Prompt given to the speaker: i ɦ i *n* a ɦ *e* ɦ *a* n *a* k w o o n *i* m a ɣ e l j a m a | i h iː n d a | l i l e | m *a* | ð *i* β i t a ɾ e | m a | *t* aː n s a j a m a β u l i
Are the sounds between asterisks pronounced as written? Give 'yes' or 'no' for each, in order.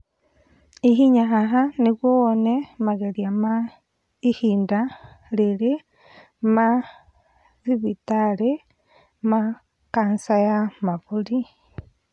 no, no, yes, no, no, yes, yes, no

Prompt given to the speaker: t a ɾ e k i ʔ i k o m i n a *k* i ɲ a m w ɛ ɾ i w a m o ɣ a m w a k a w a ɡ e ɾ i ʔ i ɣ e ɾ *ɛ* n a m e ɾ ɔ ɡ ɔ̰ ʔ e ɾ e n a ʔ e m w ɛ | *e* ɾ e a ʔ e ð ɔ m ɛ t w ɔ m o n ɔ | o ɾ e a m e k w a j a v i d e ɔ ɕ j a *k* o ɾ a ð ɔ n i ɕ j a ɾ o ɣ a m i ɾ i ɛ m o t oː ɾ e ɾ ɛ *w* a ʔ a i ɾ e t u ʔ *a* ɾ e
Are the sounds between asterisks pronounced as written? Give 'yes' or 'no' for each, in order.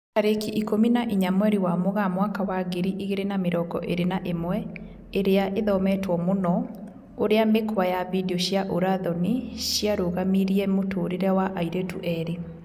no, no, yes, no, yes, no

